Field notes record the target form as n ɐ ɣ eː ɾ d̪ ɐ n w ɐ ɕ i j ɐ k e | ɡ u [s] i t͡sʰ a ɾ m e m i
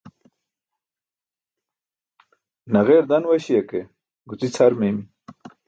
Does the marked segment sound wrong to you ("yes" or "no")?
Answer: yes